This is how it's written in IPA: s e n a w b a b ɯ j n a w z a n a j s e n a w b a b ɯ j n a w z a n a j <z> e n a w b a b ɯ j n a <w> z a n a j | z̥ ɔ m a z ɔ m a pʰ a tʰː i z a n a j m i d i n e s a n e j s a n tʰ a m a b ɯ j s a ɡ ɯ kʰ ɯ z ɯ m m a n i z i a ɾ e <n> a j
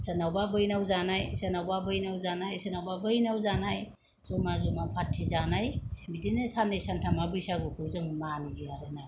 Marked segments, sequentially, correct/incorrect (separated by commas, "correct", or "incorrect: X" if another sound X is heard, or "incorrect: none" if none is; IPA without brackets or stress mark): incorrect: s, correct, correct